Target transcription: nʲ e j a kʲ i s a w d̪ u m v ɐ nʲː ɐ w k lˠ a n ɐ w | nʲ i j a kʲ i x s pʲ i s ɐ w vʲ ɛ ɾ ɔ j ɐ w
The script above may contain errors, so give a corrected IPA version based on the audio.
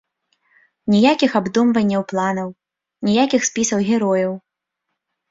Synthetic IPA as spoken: nʲ i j a kʲ i x a b d̪ u m v ɐ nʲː ɐ w p lˠ a n ɐ w | nʲ i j a kʲ i x s pʲ i s ɐ w ɣʲ ɛ ɾ ɔ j ɐ w